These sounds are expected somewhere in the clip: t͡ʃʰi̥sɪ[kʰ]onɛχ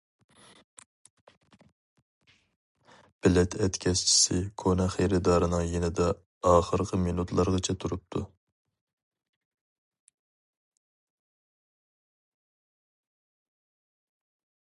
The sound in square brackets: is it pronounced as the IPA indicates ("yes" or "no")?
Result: yes